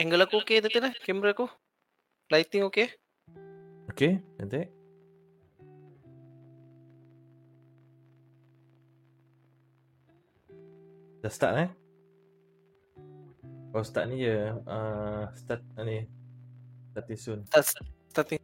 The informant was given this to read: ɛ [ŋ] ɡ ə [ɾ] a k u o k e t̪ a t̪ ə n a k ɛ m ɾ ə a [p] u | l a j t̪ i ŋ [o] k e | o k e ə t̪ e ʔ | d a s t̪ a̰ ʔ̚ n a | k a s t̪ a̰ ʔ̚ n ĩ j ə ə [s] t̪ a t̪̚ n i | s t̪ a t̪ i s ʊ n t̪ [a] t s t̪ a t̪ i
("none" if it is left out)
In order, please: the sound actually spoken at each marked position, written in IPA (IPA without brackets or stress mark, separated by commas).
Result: ŋ, l, k, o, s, a